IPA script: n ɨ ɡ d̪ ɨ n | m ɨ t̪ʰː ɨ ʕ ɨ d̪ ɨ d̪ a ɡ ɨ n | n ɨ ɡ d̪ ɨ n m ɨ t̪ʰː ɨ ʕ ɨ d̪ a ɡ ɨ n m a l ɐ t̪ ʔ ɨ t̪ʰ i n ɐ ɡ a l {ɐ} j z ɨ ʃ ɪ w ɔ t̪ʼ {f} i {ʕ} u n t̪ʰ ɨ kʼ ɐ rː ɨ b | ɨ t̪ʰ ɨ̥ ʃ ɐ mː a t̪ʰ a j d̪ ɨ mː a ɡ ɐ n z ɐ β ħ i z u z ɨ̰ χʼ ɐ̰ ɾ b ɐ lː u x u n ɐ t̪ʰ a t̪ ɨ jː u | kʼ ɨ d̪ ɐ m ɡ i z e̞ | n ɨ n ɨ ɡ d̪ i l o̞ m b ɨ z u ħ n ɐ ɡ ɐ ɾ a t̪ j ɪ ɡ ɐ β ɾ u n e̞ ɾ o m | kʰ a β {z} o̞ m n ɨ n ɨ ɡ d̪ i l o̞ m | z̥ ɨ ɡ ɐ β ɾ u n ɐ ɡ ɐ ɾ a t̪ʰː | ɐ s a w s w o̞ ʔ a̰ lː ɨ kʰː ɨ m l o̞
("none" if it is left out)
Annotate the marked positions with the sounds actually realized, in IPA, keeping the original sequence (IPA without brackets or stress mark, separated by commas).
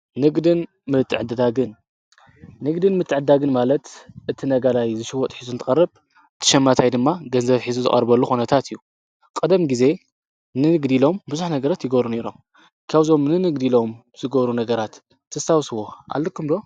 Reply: a, ħ, z, z